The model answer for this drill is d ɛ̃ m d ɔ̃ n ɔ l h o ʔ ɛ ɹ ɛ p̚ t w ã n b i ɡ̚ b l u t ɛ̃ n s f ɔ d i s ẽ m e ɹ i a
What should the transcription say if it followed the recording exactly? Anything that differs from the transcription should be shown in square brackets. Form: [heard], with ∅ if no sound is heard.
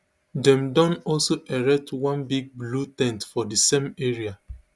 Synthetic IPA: d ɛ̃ m d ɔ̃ n ɔ l [s] o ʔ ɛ ɹ ɛ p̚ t w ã n b i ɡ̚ b l u t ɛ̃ n [t] f ɔ d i s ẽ m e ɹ i a